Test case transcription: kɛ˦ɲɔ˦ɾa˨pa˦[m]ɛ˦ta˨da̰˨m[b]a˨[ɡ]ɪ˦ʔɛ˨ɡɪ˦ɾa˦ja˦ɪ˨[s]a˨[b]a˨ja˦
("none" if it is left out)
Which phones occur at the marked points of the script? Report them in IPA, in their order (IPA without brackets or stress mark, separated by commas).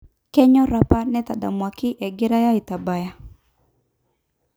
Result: n, w, k, t, b